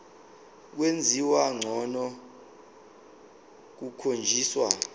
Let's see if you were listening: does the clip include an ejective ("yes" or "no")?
no